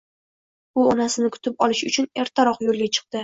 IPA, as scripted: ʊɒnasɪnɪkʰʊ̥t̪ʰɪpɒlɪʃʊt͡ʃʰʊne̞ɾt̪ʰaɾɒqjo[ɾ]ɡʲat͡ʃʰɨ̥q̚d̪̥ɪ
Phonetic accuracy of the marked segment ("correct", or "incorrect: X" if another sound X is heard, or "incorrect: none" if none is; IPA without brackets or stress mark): incorrect: l